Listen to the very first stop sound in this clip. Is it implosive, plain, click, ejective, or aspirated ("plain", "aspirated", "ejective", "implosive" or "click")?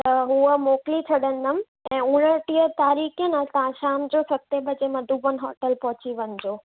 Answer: plain